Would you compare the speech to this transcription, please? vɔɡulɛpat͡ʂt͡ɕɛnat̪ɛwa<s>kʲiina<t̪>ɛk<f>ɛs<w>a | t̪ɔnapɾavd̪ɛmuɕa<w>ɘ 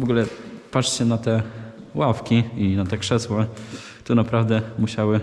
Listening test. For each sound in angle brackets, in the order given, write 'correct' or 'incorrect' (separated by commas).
incorrect, correct, incorrect, correct, correct